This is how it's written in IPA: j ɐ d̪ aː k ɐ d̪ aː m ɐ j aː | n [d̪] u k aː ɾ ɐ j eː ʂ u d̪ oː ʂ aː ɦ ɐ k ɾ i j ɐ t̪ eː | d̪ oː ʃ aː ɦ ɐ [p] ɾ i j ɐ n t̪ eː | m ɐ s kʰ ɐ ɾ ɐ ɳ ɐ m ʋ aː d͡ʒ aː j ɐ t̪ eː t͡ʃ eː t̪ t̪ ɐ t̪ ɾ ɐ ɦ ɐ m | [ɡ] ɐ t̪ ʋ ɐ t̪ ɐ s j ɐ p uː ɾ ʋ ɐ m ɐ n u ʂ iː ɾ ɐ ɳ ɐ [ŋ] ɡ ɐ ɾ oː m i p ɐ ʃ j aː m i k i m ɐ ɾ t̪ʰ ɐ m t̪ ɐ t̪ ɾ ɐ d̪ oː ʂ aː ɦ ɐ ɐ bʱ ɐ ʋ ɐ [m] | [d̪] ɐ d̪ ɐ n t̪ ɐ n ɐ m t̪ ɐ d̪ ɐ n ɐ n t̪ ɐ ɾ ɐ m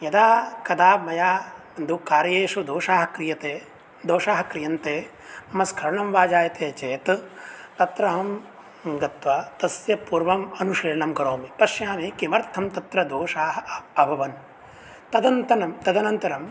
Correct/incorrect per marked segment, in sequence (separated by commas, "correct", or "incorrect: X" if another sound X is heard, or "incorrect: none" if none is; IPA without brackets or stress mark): correct, incorrect: k, correct, incorrect: m, incorrect: n, incorrect: t̪